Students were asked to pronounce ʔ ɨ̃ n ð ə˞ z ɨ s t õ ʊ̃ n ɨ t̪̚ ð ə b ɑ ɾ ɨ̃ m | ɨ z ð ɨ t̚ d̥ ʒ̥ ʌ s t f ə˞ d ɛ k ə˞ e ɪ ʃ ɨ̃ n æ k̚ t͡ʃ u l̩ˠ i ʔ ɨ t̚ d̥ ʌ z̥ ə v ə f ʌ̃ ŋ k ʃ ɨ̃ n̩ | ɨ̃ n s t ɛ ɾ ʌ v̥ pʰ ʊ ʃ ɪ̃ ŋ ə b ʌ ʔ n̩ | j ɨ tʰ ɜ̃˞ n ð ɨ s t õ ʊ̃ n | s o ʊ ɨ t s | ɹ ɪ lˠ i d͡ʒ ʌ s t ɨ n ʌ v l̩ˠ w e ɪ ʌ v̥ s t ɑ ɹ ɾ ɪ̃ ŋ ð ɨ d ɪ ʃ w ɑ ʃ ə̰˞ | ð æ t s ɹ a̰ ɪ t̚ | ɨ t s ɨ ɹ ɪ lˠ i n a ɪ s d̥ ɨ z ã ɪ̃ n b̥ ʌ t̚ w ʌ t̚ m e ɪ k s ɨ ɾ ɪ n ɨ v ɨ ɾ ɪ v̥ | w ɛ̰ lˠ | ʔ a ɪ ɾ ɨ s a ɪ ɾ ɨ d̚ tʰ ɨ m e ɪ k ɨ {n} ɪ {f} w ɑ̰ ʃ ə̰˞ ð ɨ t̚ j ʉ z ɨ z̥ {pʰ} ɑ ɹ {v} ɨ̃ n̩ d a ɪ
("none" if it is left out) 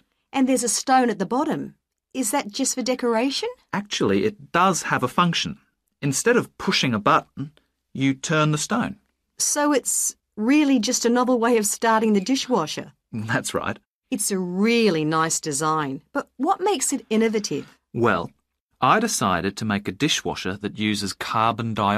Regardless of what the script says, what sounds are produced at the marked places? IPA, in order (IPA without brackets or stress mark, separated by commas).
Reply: d, ʃ, kʰ, b